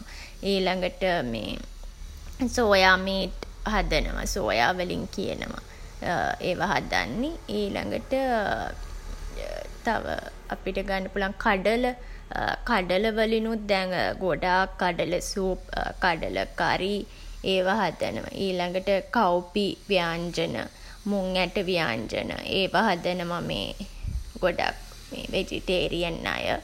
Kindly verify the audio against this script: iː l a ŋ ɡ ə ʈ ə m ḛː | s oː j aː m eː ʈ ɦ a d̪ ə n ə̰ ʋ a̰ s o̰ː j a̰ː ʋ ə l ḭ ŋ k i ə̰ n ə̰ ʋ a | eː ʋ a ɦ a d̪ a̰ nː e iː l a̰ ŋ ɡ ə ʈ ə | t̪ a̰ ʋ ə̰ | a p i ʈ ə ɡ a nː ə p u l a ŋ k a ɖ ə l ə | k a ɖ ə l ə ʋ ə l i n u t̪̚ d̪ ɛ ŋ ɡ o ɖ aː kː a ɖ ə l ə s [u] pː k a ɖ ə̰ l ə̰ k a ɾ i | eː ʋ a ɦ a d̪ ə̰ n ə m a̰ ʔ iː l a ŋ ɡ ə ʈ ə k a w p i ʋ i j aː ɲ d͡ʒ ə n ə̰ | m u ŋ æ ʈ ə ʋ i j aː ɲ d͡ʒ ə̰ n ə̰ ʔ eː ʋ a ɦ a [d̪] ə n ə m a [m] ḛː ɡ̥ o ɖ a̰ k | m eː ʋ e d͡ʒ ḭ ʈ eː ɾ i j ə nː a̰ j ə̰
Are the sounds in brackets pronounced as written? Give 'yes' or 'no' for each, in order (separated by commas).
no, yes, yes